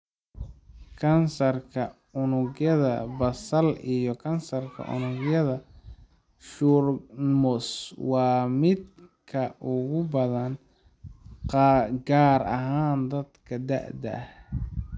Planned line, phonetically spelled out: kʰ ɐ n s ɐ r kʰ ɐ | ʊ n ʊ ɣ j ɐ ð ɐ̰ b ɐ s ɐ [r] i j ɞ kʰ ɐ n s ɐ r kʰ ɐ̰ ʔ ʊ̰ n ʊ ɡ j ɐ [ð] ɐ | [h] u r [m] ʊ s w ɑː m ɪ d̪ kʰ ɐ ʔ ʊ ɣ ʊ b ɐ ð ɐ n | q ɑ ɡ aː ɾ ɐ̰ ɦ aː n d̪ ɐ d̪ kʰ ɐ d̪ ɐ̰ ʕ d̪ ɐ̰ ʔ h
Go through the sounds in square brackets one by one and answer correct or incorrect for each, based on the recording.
incorrect: l, correct, incorrect: ʃ, correct

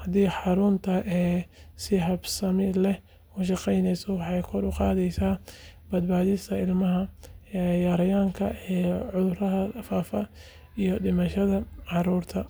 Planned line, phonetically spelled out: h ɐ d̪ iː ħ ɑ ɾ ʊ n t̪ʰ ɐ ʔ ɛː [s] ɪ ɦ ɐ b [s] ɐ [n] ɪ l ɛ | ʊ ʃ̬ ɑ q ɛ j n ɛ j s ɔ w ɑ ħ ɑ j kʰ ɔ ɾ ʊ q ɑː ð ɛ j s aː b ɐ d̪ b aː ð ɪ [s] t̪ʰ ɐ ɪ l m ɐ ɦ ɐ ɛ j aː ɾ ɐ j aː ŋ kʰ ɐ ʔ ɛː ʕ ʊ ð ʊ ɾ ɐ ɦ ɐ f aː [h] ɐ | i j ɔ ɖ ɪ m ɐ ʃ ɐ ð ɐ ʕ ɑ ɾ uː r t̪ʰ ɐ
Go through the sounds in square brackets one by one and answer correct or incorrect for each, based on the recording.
correct, correct, incorrect: m, correct, incorrect: f

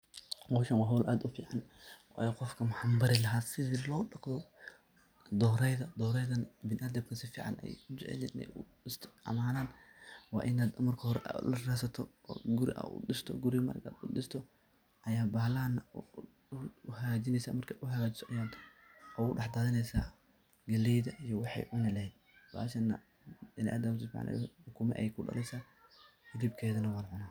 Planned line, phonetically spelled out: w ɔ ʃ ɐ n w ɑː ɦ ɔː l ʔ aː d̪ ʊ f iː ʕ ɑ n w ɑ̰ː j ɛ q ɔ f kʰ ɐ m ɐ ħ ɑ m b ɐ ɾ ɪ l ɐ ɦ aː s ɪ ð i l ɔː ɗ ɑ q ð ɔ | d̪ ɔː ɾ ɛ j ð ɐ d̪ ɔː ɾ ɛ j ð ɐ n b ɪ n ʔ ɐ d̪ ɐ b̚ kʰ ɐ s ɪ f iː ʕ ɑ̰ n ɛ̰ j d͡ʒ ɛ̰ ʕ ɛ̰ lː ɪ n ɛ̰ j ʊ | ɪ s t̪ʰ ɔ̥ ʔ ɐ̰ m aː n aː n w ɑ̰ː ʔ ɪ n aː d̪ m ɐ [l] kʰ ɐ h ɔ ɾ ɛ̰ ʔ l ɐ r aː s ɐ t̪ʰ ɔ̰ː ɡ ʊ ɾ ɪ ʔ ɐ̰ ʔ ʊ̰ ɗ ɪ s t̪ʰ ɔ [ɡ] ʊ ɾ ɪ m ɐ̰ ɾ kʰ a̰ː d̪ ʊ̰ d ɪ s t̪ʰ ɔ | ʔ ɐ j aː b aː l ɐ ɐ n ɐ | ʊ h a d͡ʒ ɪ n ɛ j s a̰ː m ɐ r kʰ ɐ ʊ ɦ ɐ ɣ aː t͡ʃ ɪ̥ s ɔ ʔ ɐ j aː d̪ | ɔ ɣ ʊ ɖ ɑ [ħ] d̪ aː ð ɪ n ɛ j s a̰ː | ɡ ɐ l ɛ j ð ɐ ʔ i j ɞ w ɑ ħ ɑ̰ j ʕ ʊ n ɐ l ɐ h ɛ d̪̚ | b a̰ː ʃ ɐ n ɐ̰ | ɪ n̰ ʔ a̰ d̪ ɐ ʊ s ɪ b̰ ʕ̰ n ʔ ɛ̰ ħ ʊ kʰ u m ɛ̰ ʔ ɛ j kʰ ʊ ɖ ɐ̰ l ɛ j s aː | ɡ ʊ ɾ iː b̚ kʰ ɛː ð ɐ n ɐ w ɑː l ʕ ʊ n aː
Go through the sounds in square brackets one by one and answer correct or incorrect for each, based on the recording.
incorrect: r, correct, correct

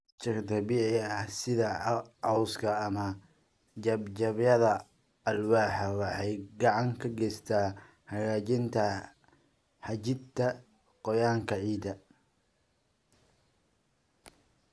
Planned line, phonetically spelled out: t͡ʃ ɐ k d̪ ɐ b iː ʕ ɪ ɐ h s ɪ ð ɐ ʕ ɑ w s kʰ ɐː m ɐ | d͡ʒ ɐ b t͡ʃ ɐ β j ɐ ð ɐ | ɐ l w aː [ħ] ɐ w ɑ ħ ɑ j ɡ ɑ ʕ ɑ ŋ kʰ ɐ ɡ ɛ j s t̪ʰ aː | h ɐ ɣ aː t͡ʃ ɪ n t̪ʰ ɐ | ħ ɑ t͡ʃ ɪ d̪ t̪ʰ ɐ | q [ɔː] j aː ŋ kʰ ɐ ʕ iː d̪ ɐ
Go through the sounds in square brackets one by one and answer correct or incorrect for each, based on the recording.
correct, incorrect: ɔ

